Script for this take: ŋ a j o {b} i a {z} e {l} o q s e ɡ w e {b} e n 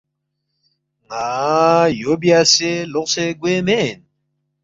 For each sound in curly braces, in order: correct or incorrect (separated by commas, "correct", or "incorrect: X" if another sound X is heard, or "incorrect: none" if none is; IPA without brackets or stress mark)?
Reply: correct, incorrect: s, correct, incorrect: m